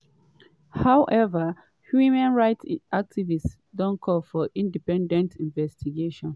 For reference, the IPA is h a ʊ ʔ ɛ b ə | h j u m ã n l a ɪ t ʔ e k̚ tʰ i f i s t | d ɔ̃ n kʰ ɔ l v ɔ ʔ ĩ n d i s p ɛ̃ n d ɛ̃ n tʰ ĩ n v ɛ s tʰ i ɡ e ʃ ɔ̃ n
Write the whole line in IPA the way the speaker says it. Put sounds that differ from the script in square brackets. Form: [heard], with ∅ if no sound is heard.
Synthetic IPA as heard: h a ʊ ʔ ɛ [v] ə | h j u m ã n [ɹ] a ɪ t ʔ [a] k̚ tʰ i [v] i s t | d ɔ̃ n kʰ ɔ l [f] ɔ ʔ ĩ n d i [∅] p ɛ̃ n d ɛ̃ n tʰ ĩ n v ɛ s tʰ i ɡ e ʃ ɔ̃ n